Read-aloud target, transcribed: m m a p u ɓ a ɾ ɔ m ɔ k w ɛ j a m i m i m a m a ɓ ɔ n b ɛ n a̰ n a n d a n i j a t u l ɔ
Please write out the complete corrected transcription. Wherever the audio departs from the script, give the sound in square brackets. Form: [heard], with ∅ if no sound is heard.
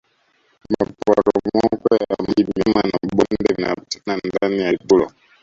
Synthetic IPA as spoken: m m a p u [∅] a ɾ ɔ m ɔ k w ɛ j a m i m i m a [n] a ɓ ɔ n [d] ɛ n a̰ n a n d a n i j a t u l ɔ